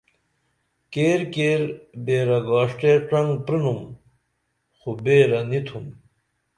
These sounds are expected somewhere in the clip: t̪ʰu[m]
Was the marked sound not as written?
no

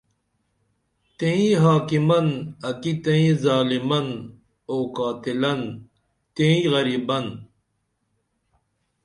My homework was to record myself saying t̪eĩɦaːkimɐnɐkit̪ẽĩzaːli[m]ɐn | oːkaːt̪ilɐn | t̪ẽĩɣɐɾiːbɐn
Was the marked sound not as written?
no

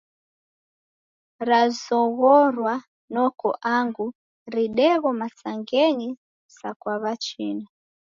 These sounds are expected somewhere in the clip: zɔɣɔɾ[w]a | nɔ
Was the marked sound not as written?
no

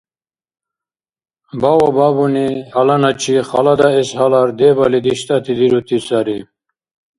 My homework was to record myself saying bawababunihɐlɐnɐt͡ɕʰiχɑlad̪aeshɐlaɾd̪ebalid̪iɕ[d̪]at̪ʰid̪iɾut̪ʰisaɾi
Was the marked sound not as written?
yes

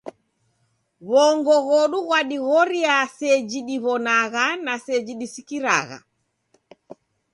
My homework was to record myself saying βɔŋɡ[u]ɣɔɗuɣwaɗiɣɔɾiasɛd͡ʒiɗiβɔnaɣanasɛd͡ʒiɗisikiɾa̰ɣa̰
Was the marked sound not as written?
yes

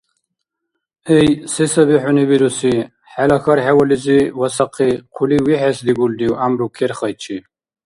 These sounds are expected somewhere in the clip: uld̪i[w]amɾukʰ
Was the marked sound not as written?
no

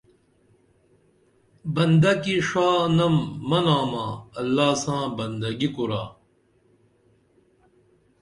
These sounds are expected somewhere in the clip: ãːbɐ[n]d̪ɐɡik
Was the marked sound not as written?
no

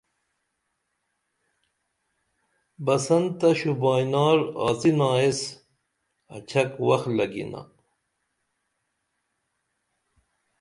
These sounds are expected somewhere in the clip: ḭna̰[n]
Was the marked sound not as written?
yes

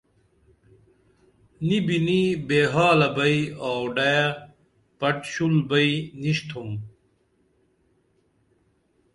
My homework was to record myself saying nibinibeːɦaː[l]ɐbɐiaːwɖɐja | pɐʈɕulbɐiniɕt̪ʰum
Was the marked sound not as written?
no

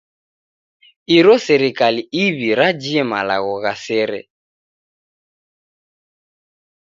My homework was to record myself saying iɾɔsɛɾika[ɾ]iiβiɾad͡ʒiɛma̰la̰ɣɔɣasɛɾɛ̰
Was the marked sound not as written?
yes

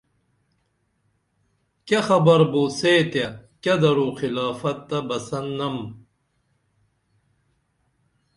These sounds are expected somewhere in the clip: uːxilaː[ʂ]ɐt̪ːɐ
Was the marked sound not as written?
yes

